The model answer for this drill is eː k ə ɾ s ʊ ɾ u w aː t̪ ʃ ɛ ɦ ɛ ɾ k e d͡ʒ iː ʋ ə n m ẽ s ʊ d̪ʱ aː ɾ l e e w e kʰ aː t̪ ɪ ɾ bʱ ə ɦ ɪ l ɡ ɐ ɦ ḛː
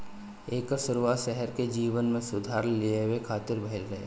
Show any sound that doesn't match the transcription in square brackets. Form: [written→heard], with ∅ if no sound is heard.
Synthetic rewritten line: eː k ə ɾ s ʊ ɾ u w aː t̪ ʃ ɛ ɦ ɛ ɾ k e d͡ʒ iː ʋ ə n m ẽ s ʊ d̪ʱ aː ɾ l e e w e kʰ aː t̪ ɪ ɾ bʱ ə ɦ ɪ l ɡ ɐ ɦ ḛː

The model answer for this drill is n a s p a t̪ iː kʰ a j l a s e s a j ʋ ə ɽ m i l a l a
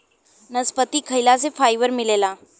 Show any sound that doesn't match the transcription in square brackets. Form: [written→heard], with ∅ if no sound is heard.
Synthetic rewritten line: n [a→ə] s p [a→ə] t̪ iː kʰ [a→ə] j l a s e [s→f] a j ʋ ə [ɽ→ɾ] m i l [a→e] l a

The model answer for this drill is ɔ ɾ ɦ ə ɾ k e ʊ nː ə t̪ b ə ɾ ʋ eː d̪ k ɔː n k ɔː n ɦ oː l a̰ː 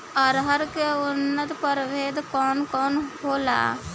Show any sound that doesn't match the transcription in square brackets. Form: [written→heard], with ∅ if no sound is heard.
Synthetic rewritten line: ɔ ɾ ɦ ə ɾ k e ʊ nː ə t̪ [b→p] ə ɾ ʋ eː d̪ k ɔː n k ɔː n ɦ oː l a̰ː

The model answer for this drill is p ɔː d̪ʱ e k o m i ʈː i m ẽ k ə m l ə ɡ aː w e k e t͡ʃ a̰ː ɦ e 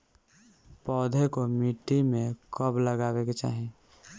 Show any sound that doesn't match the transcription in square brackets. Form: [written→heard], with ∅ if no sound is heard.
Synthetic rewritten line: p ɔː d̪ʱ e k o m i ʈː i m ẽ k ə [m→b] l ə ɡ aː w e k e t͡ʃ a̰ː ɦ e

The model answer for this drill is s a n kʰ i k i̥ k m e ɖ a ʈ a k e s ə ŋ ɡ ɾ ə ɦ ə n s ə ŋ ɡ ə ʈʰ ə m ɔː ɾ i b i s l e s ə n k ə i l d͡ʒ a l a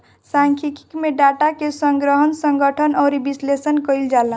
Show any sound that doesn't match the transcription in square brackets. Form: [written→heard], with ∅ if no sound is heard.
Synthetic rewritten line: s a [n→ŋ] kʰ i k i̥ k m e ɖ a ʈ a k e s ə ŋ ɡ ɾ ə ɦ ə n s ə ŋ ɡ ə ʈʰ ə [m→n] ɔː ɾ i b i s l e s ə n k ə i l d͡ʒ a l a

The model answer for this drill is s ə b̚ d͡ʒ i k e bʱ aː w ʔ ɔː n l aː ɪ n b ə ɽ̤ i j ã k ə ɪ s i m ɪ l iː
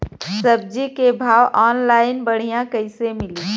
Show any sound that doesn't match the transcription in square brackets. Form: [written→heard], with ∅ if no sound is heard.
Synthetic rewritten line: s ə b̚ d͡ʒ i k e bʱ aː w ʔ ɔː n l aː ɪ n b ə ɽ̤ i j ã k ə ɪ s [i→e] m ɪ l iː

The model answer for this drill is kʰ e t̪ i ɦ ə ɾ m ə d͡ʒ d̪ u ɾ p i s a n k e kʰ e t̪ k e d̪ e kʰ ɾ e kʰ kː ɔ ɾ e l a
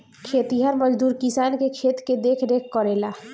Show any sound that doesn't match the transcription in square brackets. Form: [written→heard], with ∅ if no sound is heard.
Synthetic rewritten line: kʰ e t̪ i ɦ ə ɾ m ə d͡ʒ d̪ u ɾ [p→k] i s a n k e kʰ e t̪ k e d̪ e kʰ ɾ e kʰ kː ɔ ɾ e l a

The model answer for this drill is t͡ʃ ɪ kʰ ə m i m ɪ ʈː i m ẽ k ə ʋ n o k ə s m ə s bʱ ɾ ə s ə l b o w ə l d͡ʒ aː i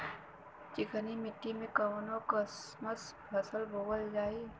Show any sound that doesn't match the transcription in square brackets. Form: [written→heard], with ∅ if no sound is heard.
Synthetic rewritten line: t͡ʃ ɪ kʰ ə [m→n] i m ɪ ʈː i m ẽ k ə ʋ n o k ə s m ə s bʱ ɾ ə s ə l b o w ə l d͡ʒ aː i

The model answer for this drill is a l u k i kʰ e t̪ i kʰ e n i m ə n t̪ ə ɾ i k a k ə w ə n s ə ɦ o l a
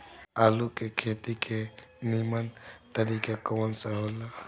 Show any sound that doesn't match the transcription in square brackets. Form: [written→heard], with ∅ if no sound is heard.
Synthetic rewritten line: a l u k [i→e] kʰ e t̪ i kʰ e n i m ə n t̪ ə ɾ i k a k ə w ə n s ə ɦ o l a

